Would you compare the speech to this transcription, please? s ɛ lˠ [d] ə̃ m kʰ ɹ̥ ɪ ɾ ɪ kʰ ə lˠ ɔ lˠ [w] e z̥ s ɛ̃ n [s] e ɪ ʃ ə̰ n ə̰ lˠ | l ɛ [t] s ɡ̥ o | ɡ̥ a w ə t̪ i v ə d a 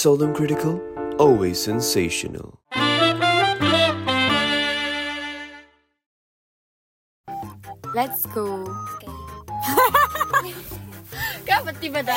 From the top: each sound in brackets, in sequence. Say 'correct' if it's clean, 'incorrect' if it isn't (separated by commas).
correct, correct, correct, correct